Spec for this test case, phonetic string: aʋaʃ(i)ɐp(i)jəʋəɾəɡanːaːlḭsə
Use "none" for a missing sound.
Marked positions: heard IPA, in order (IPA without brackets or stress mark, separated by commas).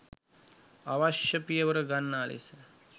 j, i